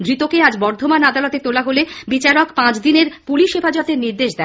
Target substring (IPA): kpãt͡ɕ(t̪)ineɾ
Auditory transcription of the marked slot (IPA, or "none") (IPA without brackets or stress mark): d̪